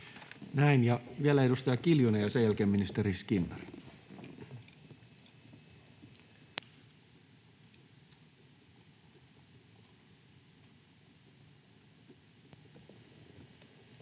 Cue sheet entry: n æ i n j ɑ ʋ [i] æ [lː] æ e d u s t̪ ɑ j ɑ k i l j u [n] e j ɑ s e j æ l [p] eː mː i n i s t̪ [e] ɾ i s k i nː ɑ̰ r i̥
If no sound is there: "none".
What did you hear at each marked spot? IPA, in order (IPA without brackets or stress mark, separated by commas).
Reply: i, l, n, k, e